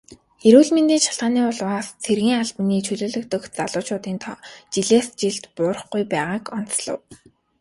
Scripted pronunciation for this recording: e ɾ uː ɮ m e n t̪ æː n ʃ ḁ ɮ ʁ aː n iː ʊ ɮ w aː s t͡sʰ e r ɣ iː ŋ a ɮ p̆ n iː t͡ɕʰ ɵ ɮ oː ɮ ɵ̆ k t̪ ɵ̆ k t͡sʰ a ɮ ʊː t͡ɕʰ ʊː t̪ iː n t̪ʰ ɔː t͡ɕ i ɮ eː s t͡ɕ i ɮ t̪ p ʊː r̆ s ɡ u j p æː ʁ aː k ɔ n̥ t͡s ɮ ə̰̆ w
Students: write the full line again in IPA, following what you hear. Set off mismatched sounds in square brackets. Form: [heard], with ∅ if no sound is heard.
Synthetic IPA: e ɾ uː ɮ m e n t̪ [iː] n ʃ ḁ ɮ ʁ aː n iː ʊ ɮ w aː s t͡sʰ e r ɣ iː ŋ a ɮ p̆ n iː t͡ɕʰ ɵ ɮ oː ɮ ɵ̆ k t̪ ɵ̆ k [t͡s] a ɮ ʊː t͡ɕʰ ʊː t̪ iː n t̪ʰ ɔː t͡ɕ i ɮ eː s t͡ɕ i ɮ t̪ p ʊː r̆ [χ] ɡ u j p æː ʁ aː k ɔ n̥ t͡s ɮ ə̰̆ w